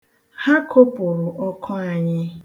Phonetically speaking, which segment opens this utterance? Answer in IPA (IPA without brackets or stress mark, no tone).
h